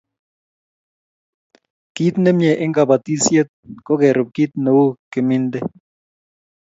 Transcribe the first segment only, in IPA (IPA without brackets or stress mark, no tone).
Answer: k